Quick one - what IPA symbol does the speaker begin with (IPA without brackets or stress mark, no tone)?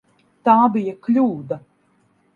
t̪